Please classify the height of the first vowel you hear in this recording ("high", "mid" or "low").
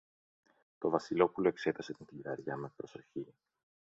mid